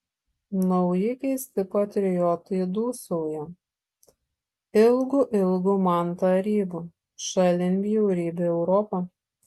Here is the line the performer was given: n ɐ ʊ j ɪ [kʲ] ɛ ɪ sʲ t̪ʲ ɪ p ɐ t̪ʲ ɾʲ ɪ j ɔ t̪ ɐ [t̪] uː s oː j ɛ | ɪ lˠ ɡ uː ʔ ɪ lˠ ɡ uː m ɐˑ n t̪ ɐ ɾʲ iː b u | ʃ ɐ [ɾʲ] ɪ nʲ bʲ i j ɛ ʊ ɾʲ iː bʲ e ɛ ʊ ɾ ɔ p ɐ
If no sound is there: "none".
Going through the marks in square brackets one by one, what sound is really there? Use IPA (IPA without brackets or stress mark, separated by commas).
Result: kʲ, d̪, lʲ